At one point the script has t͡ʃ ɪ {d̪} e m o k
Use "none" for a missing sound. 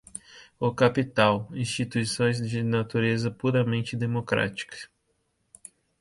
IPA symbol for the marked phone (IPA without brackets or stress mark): d̪